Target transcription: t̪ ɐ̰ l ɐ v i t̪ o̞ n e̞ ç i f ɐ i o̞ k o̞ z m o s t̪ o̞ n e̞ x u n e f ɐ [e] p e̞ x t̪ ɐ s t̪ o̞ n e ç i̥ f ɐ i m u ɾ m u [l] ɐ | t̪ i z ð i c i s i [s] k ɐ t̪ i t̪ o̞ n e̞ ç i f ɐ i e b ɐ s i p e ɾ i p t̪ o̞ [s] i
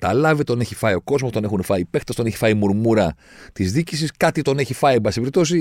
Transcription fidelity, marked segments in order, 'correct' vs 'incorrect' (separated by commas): incorrect, incorrect, correct, correct